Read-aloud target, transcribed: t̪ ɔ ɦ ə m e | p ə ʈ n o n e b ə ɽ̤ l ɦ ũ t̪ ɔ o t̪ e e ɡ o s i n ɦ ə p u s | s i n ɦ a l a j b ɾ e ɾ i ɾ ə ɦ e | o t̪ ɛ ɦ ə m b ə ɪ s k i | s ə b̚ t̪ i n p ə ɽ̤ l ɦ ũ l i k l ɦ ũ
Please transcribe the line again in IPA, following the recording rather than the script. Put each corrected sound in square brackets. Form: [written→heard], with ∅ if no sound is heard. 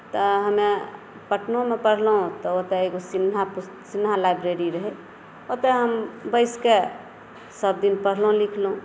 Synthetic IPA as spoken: t̪ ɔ ɦ ə m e | p ə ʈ n o [n→m] e [b→p] ə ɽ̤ l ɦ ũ t̪ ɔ o t̪ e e ɡ o s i n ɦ [ə→a] p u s | s i n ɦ a l a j b ɾ e ɾ i ɾ ə ɦ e | o t̪ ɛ ɦ ə m b ə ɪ s k [i→e] | s ə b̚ [t̪→d̪] i n p ə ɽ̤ l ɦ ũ l i [k→kʰ] l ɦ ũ